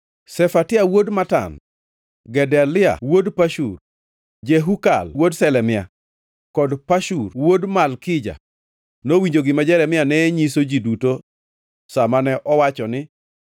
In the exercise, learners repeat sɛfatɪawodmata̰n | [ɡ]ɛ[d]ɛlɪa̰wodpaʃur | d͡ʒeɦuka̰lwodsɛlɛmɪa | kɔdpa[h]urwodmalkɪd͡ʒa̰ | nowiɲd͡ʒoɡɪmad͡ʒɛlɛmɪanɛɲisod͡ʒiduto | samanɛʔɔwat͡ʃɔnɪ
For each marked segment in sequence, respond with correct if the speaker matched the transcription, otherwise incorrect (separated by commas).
correct, correct, incorrect